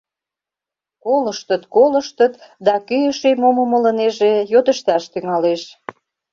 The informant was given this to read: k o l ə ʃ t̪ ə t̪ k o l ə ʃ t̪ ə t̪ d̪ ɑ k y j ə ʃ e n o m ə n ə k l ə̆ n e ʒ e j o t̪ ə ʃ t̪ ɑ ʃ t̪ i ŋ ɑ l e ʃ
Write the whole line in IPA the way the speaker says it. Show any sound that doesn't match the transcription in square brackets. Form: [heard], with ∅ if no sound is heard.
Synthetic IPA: k o l ə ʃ t̪ ə t̪ k o l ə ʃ t̪ ə t̪ d̪ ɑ k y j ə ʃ e [m] o m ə [m] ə [∅] l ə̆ n e ʒ e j o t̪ ə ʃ t̪ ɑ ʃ t̪ [y] ŋ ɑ l e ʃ